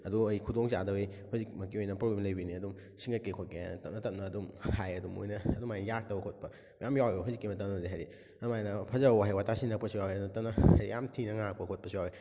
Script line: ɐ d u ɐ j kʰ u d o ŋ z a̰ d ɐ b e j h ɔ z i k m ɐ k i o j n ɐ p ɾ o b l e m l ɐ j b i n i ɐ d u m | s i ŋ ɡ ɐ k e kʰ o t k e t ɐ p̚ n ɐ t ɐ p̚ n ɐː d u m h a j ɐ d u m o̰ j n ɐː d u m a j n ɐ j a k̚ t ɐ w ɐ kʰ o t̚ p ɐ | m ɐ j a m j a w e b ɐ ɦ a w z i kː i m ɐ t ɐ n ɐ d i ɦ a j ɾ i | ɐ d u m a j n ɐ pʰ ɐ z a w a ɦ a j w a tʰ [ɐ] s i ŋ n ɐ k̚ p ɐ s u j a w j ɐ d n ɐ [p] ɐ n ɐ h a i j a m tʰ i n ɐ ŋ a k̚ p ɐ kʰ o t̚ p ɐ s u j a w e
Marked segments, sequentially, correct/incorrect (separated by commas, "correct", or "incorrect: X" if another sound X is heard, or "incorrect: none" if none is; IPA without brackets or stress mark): incorrect: a, incorrect: t